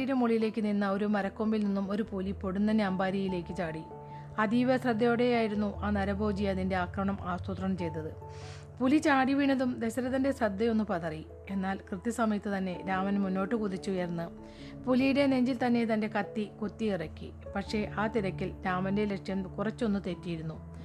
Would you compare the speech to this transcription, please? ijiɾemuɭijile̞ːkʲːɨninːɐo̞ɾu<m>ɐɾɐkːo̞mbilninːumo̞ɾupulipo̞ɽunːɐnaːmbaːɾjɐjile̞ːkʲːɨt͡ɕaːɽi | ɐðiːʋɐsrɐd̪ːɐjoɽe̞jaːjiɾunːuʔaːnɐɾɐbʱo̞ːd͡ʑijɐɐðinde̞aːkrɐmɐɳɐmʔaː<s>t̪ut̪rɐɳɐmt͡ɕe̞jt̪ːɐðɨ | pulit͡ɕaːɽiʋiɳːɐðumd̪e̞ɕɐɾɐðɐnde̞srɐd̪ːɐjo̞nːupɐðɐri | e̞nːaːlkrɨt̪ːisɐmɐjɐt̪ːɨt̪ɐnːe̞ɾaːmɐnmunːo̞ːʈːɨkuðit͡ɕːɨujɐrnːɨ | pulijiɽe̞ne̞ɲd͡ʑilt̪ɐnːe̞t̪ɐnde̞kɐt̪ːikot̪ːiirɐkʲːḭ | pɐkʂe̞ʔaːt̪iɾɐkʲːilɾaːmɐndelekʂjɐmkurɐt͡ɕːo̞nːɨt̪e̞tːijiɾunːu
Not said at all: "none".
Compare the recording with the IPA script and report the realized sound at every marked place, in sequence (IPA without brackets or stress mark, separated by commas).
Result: m, s